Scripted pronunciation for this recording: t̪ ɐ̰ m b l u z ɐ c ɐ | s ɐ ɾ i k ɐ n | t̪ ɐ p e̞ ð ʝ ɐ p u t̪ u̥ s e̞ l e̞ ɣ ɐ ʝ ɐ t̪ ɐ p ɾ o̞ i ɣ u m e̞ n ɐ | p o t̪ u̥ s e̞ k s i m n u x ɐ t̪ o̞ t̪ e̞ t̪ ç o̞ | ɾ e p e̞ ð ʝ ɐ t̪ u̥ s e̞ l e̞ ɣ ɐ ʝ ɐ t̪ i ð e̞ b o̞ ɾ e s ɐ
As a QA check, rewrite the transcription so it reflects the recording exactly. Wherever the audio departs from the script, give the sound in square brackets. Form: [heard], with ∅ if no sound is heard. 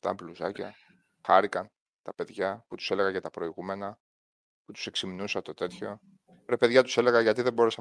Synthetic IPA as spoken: t̪ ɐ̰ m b l u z ɐ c ɐ | [x] ɐ ɾ i k ɐ n | t̪ ɐ p e̞ ð ʝ ɐ p u t̪ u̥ s e̞ l e̞ ɣ ɐ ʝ ɐ t̪ ɐ p ɾ o̞ i ɣ u m e̞ n ɐ | p [u] t̪ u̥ s e̞ k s i m n u [s] ɐ t̪ o̞ t̪ e̞ t̪ ç o̞ | ɾ e p e̞ ð ʝ ɐ t̪ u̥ s e̞ l e̞ ɣ ɐ ʝ ɐ t̪ i ð e̞ b o̞ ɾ e s ɐ